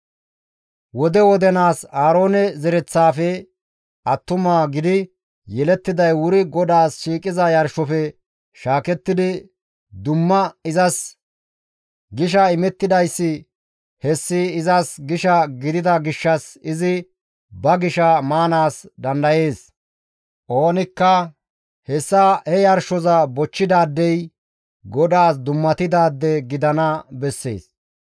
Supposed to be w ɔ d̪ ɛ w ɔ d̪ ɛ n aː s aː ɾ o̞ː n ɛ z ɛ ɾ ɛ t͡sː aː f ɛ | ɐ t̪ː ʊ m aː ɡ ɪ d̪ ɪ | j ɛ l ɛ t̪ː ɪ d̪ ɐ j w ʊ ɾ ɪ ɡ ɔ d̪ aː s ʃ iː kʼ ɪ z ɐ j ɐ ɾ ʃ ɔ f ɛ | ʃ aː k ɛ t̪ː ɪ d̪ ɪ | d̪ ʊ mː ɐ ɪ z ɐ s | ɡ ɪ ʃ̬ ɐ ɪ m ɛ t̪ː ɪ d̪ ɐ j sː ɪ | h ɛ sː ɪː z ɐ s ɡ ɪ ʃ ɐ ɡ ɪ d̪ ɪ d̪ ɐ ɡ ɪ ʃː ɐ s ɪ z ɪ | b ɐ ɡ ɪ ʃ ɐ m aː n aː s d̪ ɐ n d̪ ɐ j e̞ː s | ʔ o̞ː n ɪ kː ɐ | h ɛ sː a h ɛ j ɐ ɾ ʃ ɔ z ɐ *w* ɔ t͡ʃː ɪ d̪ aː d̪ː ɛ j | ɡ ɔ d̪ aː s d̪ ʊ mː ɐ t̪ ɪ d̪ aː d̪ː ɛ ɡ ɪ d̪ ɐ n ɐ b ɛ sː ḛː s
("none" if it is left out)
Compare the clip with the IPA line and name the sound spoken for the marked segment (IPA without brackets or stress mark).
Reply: b